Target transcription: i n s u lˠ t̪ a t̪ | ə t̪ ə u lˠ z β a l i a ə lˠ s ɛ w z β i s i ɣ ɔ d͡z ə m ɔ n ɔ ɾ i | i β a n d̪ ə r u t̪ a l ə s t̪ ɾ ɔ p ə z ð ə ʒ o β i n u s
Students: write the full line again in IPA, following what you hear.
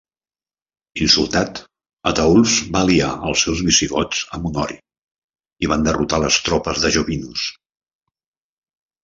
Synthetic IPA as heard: i n s u lˠ t̪ a t̪ | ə t̪ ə u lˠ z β a l i a ə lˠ s ɛ w z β i s i ɣ ɔ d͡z ə m u n ɔ ɾ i | i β a n d̪ ə r u t̪ a l ə s t̪ ɾ ɔ p ə z ð ə ʒ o β i n u s